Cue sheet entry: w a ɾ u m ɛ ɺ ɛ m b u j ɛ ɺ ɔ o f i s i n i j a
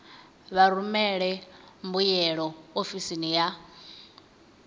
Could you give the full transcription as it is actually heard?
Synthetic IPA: β a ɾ u m ɛ ɺ ɛ m b u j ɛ ɺ ɔ o f i s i n i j a